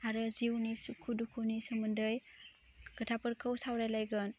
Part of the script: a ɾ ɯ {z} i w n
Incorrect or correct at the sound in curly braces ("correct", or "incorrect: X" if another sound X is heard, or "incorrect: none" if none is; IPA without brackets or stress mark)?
correct